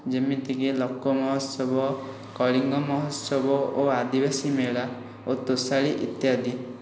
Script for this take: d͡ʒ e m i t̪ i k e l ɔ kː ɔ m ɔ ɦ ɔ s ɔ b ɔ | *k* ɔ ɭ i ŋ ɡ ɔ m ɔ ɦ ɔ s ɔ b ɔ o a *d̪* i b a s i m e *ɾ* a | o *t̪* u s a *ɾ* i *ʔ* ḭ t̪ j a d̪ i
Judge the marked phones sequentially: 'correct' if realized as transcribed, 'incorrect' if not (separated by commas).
correct, correct, incorrect, correct, incorrect, correct